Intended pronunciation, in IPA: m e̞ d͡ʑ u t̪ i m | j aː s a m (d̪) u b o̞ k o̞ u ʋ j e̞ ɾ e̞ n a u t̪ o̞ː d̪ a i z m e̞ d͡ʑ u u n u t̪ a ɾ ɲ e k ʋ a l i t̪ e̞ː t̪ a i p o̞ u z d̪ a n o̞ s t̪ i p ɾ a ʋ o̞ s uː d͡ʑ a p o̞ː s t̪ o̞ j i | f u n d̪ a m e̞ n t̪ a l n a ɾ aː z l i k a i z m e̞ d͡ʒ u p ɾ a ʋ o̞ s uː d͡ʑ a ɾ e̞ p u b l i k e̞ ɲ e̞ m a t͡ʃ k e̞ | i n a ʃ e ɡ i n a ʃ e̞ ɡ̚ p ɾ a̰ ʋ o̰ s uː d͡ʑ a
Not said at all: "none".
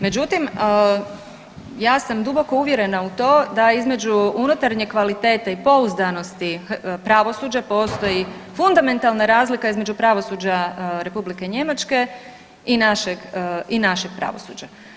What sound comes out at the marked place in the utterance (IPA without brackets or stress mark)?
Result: d̪